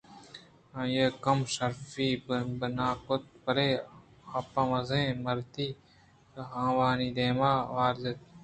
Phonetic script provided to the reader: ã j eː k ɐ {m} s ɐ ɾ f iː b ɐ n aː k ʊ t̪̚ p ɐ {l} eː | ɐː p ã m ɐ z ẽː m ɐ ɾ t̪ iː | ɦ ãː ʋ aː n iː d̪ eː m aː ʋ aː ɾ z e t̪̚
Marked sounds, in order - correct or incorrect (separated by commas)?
correct, incorrect